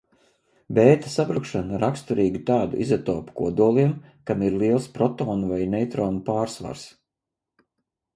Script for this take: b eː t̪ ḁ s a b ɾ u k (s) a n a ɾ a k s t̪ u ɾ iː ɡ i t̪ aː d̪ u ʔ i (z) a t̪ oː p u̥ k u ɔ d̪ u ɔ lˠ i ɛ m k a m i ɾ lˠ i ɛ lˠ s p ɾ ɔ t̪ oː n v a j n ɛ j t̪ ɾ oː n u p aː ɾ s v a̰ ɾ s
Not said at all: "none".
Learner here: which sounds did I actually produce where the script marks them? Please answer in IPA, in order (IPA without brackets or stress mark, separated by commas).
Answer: ʃ, z